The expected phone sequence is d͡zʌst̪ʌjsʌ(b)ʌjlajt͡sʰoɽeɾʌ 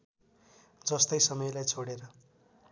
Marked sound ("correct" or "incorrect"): incorrect